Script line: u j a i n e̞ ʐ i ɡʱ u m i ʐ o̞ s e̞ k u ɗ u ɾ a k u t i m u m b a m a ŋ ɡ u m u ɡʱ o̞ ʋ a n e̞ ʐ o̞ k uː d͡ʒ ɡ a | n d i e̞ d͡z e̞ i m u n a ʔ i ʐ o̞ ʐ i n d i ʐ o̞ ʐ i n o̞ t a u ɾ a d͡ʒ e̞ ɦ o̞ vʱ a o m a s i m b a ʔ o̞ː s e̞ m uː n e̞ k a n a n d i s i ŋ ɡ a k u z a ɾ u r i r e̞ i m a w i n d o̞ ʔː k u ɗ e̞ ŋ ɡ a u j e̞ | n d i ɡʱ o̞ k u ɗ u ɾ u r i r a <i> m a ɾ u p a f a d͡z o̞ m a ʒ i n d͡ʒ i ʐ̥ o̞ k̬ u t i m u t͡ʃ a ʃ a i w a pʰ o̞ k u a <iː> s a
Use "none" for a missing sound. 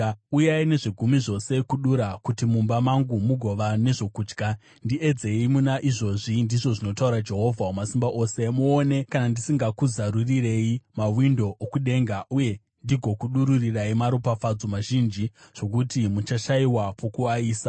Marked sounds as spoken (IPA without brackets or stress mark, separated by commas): i, iː